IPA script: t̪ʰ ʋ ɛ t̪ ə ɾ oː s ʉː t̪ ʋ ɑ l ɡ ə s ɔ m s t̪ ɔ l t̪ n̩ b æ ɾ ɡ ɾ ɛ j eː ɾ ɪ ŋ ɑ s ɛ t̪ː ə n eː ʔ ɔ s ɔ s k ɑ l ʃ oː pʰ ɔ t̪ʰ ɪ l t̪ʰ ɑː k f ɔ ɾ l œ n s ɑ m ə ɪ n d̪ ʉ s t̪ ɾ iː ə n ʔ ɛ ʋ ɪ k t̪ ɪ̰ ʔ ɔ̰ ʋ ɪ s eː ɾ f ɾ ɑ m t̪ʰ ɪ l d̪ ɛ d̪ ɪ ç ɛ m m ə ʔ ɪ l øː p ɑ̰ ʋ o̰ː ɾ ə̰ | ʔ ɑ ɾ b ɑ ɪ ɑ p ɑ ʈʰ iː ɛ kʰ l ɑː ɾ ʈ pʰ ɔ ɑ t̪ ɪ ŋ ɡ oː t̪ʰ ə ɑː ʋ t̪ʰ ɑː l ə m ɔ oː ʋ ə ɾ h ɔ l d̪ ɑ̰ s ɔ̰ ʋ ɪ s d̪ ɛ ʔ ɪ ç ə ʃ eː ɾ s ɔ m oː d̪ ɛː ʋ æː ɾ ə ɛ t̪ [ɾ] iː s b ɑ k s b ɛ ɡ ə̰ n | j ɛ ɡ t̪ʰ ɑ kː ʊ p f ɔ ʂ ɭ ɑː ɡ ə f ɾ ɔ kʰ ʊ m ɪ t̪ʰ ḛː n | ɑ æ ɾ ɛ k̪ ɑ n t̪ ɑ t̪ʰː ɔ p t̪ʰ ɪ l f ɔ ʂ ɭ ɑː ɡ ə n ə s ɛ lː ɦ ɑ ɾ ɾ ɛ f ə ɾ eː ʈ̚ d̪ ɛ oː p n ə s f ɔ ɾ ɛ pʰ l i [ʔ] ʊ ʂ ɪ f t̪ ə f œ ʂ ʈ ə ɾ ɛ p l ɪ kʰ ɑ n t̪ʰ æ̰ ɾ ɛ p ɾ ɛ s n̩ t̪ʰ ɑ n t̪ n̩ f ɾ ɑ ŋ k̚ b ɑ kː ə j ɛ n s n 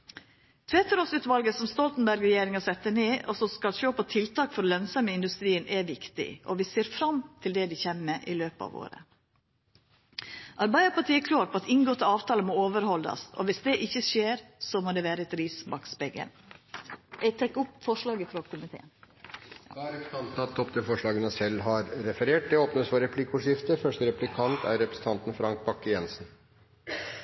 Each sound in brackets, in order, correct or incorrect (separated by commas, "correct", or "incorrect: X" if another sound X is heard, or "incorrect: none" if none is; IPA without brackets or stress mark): correct, incorrect: k